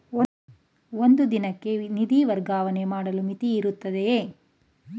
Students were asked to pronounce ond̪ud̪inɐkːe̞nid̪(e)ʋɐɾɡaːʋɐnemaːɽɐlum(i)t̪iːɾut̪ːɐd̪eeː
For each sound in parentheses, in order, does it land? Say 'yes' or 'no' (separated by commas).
no, yes